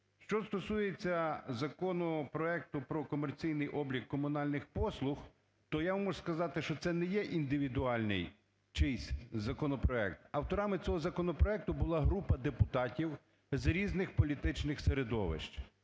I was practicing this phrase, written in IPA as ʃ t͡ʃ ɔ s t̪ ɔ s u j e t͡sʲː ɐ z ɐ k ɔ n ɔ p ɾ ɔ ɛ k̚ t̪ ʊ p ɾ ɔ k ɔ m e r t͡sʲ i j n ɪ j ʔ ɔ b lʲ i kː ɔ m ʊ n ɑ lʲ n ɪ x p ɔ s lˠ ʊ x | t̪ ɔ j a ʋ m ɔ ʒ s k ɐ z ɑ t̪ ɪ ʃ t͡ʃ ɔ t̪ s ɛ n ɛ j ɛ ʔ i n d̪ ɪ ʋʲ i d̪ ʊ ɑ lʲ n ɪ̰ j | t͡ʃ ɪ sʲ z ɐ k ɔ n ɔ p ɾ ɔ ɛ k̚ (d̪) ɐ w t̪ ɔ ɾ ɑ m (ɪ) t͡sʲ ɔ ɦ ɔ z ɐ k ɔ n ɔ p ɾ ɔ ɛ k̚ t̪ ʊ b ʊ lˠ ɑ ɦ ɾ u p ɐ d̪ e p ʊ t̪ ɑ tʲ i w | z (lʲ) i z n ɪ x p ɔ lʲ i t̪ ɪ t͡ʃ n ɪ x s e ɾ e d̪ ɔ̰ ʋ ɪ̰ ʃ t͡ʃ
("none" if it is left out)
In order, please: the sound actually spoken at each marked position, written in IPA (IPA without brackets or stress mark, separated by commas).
t̪, ɪ, ɾʲ